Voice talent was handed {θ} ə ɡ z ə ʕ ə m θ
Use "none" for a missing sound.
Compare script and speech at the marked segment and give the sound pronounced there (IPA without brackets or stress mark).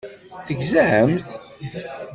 θ